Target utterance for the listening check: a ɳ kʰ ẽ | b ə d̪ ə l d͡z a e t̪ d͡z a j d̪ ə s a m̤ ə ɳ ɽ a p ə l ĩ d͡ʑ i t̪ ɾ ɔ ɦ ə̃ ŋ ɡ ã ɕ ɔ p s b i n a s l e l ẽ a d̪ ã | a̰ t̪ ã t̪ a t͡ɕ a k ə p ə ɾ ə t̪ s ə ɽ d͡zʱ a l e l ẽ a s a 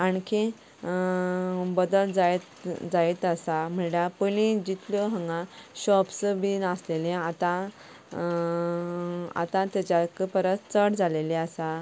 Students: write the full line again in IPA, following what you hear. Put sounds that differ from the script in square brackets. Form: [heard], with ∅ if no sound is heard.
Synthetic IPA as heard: a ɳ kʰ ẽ | b ə d̪ ə l d͡z a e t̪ d͡z a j [t̪] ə s a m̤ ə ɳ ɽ a p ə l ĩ d͡ʑ i t̪ [l] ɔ ɦ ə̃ ŋ ɡ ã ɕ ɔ p s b i n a s l e l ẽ a [t̪] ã | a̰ t̪ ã t̪ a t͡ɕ a k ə p ə ɾ ə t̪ [t͡s] ə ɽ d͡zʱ a l e l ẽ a s a